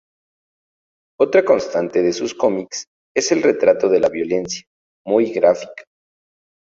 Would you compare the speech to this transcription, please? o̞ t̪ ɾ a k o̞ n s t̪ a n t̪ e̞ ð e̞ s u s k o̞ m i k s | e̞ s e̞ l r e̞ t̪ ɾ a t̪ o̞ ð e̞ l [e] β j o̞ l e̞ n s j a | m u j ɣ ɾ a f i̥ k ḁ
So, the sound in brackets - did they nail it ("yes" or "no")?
no